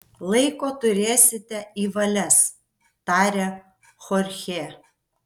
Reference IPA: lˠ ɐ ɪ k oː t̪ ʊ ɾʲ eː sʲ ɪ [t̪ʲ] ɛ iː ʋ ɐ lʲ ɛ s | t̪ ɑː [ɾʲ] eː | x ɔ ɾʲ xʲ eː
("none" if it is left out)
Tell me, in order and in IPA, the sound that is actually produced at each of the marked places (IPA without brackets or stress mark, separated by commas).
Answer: t̪ʲ, ɾʲ